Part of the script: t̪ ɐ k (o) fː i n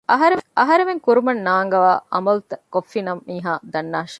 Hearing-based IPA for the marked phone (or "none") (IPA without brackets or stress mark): o